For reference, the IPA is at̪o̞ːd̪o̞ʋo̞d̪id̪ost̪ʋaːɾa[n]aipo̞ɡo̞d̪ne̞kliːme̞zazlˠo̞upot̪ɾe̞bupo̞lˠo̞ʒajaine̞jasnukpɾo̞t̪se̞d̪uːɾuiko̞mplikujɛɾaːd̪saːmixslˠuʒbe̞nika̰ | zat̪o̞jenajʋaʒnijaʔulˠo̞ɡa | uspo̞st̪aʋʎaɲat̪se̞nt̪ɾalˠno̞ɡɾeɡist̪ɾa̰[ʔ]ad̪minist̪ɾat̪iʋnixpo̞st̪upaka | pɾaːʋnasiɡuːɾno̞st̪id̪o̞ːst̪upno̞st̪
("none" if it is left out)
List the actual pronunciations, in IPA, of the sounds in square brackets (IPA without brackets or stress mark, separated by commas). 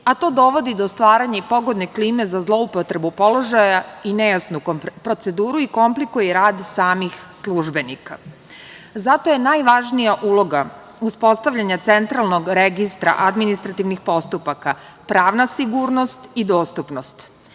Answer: ɲ, ʔ